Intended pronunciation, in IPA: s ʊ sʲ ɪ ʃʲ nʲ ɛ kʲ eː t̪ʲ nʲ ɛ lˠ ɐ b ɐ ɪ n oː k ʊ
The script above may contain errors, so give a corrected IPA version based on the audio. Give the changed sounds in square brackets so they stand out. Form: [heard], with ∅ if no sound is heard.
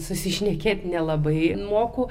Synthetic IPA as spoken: s ʊ sʲ ɪ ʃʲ nʲ ɛ kʲ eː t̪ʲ nʲ ɛ lˠ ɐ b ɐ ɪ [m] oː k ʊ